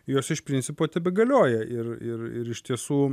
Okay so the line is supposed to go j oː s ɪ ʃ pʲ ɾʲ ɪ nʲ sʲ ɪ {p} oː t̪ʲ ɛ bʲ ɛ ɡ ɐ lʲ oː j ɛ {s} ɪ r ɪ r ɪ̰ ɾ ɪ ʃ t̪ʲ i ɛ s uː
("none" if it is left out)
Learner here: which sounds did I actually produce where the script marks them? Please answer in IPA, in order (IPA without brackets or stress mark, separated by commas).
p, none